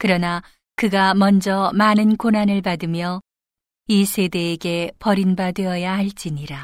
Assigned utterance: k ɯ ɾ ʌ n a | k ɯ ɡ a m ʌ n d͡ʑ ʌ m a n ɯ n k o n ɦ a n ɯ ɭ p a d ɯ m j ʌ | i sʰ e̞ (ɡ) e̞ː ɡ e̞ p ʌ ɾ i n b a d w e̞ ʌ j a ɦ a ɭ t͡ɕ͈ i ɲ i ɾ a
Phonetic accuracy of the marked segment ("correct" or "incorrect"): incorrect